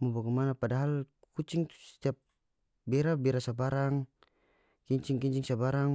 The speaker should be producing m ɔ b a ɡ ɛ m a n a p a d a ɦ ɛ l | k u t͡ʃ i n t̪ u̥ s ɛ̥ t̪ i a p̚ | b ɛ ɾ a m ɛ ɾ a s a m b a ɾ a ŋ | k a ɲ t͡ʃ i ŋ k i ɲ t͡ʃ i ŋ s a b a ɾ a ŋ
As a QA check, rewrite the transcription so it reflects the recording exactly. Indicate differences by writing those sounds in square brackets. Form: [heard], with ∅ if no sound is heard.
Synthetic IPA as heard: m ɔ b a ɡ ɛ m a n a p a d a ɦ [a] l | k u t͡ʃ i [ŋ] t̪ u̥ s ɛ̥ t̪ i a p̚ | b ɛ ɾ a [b] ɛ ɾ a s a [∅] b a ɾ a ŋ | k [i] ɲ t͡ʃ i ŋ k i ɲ t͡ʃ i ŋ s a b a ɾ a ŋ